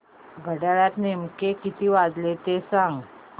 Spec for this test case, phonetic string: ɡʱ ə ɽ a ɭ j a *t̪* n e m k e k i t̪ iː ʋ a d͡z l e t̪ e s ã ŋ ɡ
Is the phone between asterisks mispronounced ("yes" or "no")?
no